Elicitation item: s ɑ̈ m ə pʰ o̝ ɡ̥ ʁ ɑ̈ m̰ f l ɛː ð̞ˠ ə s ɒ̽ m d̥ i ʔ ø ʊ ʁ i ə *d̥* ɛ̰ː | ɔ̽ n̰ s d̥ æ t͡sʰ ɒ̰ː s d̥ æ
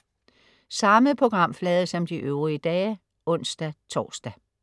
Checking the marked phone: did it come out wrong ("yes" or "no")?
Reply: no